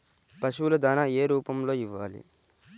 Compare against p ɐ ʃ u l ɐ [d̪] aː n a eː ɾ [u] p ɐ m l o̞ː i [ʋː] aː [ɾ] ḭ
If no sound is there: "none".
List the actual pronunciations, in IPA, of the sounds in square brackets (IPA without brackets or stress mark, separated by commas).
d̪, uː, ʋː, l